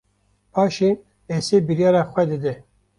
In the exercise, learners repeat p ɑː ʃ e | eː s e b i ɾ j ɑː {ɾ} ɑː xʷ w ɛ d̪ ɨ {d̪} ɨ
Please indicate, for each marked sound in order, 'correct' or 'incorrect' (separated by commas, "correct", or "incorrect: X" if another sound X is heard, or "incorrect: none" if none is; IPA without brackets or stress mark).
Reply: correct, correct